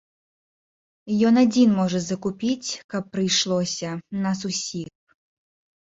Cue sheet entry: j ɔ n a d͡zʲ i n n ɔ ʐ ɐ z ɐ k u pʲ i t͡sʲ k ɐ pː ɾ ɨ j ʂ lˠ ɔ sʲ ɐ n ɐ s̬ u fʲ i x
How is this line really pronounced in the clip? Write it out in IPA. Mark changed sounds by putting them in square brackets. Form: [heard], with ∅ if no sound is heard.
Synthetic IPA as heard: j ɔ n a d͡zʲ i n [m] ɔ ʐ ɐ z ɐ k u pʲ i t͡sʲ k ɐ pː ɾ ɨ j ʂ lˠ ɔ sʲ ɐ n ɐ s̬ u [sʲ] i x

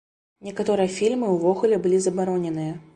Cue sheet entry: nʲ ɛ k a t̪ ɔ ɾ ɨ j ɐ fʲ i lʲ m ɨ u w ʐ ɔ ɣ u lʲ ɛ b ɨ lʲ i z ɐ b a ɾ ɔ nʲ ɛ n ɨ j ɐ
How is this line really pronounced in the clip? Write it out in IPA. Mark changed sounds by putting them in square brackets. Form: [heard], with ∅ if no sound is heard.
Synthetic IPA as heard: nʲ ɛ k a t̪ ɔ ɾ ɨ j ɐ fʲ i lʲ m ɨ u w [v] ɔ ɣ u lʲ ɛ b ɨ lʲ i z ɐ b a ɾ ɔ nʲ ɛ n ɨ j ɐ

